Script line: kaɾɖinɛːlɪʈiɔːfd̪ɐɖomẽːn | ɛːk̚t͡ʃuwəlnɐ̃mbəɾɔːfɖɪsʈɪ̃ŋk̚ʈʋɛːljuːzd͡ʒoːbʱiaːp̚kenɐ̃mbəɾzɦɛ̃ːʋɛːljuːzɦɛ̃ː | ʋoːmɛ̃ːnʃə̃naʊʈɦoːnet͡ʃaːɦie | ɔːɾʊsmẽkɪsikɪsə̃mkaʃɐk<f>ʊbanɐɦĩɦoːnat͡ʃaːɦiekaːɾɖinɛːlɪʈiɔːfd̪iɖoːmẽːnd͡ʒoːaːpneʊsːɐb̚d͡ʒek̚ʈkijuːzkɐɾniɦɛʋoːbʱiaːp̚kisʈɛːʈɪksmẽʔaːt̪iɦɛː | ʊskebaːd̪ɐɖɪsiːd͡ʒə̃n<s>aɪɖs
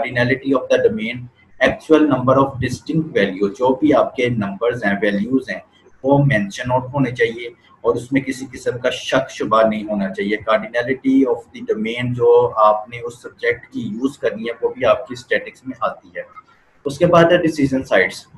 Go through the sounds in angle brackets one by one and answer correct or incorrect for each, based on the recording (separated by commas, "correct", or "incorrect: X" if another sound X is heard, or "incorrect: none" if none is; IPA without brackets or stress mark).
incorrect: ʃ, correct